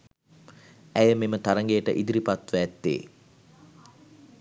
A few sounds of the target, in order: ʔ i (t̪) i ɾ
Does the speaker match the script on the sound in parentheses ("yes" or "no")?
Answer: no